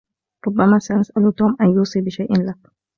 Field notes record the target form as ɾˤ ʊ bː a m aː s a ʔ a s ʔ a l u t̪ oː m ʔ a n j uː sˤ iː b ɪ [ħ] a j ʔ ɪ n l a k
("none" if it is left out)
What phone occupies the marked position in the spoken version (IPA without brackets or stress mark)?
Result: ʃ